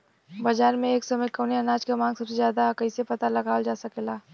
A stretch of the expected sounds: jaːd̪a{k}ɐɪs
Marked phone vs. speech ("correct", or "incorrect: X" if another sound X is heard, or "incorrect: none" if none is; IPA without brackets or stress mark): correct